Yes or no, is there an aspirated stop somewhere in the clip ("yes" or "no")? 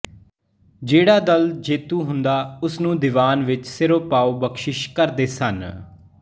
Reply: no